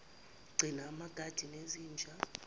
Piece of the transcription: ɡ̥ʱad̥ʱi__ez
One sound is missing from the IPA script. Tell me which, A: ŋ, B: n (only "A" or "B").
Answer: B